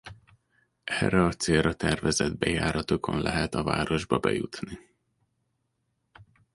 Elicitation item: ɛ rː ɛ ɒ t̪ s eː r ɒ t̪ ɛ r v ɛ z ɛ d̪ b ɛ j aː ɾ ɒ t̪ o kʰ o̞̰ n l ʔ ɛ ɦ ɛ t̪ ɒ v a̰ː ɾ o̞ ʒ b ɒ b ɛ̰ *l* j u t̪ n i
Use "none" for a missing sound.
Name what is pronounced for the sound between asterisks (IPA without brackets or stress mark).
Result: none